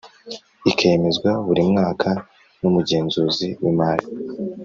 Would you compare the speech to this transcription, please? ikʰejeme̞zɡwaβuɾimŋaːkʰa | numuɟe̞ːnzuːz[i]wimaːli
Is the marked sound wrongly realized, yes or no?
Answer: no